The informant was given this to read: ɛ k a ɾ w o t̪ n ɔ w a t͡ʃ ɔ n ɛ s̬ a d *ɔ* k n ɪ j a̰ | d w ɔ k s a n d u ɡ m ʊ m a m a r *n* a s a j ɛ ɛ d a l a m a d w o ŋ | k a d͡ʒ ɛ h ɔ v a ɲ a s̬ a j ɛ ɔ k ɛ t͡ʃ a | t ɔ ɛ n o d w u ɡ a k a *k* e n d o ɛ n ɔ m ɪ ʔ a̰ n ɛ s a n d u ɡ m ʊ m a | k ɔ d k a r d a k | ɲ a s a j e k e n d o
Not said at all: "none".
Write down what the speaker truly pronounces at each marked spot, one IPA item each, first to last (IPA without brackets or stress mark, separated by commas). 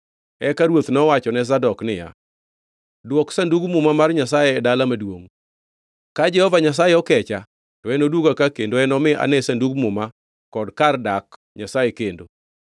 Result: ɔ, ɲ, k